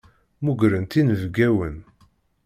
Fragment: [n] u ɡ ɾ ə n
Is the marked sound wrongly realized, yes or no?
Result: yes